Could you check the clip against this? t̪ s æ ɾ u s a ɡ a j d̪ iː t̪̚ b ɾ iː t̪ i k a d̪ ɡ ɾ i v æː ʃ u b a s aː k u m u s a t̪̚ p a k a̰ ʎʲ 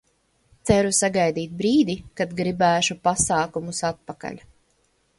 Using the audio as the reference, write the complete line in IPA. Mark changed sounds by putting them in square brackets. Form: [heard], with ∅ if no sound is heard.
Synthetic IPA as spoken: t̪ s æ ɾ u s a ɡ a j d̪ iː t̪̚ b ɾ iː [d̪] i k a d̪ ɡ ɾ i [b] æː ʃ u [p] a s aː k u m u s a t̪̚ p a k a̰ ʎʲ